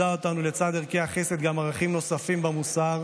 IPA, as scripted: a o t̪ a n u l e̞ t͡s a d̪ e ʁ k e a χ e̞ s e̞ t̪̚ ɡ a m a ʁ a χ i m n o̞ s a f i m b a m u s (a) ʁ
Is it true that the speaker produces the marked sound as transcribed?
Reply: yes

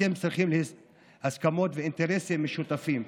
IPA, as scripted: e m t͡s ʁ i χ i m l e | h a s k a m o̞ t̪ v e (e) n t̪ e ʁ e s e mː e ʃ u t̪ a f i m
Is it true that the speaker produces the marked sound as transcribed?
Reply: no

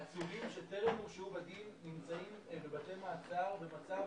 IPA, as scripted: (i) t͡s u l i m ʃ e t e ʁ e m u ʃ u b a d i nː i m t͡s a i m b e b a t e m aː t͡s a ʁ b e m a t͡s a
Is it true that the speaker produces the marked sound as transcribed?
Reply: no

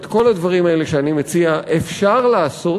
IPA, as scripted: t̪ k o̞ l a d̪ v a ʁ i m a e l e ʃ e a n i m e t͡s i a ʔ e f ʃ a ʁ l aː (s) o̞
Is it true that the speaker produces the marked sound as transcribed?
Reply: yes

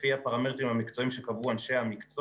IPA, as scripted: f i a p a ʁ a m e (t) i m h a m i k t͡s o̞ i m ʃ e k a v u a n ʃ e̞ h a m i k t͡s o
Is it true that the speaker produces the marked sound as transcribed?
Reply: yes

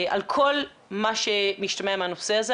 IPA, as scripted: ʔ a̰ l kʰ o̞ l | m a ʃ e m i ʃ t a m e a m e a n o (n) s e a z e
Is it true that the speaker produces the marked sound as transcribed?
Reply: no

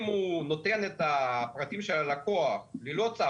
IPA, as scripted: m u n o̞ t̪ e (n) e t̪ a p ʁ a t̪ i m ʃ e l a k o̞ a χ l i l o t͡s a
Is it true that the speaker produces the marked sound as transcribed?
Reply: yes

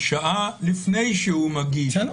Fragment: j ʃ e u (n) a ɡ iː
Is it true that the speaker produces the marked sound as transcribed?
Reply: no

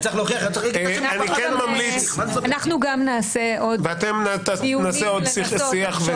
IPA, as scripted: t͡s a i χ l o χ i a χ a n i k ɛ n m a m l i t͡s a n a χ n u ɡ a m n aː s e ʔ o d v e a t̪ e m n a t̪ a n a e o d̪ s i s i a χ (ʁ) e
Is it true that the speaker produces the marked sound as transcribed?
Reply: no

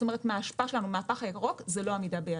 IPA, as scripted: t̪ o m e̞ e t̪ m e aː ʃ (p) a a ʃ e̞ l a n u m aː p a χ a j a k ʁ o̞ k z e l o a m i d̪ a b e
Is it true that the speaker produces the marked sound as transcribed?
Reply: yes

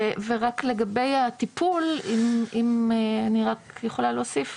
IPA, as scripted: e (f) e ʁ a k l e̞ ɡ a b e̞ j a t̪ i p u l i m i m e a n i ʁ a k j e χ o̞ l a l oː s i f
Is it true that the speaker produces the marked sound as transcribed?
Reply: no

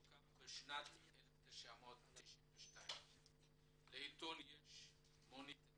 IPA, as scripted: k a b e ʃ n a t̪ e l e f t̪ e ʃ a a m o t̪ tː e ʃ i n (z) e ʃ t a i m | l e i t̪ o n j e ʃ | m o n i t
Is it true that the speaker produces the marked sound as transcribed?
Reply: no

